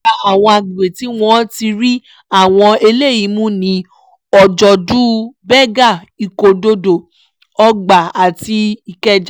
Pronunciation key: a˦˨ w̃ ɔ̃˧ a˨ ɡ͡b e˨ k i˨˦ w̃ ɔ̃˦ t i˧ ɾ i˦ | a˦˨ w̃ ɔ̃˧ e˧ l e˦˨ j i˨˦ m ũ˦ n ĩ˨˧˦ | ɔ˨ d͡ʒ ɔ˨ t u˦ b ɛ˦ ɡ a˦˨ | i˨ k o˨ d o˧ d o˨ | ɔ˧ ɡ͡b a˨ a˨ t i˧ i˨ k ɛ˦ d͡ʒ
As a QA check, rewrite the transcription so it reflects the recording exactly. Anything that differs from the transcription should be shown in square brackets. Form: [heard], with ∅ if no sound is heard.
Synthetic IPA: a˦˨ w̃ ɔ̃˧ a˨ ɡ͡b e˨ [t] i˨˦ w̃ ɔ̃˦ t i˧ ɾ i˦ | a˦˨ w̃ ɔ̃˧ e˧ l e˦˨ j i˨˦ m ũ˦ n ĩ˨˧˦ | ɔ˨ d͡ʒ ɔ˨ [d] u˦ b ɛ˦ ɡ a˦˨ | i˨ k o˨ d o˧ d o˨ | ɔ˧ ɡ͡b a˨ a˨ t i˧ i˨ k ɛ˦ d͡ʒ